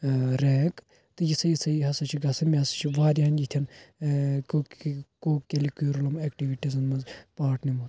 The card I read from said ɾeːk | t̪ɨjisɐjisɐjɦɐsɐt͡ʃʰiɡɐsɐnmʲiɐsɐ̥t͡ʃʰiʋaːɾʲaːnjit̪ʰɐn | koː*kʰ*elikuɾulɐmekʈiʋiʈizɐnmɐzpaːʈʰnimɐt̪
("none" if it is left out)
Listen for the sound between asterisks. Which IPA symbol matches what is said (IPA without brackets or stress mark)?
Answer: k